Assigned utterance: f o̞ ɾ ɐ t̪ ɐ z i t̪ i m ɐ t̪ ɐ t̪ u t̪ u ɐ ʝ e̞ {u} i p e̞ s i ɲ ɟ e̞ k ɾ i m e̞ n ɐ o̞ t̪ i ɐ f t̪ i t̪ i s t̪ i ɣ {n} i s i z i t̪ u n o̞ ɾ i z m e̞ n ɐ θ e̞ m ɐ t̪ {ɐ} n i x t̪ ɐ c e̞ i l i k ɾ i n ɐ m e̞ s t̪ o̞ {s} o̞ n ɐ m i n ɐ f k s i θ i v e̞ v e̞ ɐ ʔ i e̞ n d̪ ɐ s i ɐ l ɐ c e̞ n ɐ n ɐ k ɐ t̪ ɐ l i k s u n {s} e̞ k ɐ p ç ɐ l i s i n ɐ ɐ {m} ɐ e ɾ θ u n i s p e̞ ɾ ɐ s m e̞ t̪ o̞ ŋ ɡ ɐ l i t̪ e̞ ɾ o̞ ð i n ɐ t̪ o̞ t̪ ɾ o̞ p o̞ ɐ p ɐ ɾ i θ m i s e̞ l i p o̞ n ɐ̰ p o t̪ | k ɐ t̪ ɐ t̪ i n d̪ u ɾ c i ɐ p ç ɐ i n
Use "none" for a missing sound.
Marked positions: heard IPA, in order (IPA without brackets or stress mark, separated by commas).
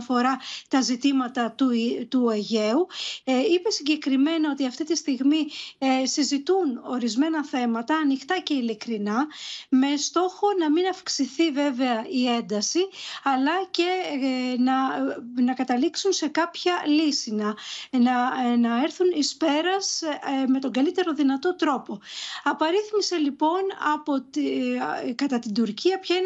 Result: u, m, ɐː, x, s, n